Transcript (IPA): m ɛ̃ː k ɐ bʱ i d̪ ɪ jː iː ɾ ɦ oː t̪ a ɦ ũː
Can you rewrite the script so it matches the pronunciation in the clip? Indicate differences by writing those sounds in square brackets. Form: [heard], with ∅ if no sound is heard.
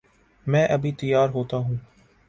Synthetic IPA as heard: m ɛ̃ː [ʔ] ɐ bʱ i [t̪] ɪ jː [aː] ɾ ɦ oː t̪ a ɦ ũː